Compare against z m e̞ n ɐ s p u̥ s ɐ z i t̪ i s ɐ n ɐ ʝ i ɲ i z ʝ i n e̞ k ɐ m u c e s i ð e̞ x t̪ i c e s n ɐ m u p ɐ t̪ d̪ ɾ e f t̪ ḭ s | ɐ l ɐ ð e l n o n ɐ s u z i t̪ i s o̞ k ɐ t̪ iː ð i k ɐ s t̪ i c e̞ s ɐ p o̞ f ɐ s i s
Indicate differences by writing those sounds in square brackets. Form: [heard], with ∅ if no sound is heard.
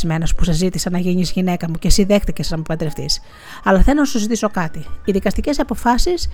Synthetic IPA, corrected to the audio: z m e̞ n ɐ s p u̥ s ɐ z i t̪ i s ɐ n ɐ ʝ i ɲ i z ʝ i n e̞ k ɐ m u c e s i ð e̞ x t̪ i c e s n ɐ m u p ɐ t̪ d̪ ɾ e f t̪ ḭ s | ɐ l ɐ [θ] e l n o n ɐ s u z i t̪ i s o̞ k ɐ t̪ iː ð i k ɐ s t̪ i c e̞ s ɐ p o̞ f ɐ s i s